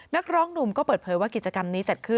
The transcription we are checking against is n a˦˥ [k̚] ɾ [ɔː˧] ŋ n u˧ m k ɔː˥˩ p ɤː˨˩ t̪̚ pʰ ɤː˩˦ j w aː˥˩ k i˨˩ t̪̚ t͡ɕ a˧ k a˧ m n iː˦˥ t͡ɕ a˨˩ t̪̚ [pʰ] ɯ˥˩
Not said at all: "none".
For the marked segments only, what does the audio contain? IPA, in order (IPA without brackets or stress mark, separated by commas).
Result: k̚, ɔː˦˥, kʰ